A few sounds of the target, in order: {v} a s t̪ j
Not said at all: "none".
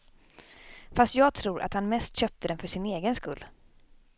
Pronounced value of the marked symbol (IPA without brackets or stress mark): f